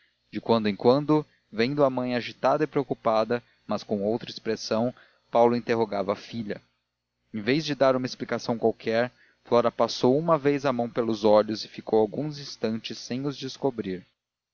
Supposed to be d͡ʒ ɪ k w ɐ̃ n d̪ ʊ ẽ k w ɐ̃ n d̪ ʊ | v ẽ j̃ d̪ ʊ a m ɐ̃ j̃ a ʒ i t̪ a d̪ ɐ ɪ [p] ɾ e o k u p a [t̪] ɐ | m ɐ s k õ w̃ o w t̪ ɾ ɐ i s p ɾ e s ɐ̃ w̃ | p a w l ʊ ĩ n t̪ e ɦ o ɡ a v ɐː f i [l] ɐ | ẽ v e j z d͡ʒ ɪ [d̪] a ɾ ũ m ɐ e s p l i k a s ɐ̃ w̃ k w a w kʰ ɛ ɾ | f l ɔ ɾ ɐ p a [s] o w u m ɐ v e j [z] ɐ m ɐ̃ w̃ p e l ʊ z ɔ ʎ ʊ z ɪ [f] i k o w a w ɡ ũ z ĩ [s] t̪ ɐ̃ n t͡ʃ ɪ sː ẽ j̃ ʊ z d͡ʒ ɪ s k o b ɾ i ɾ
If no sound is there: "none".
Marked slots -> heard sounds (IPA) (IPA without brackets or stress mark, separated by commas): p, d̪, ʎ, d̪, s, z, f, s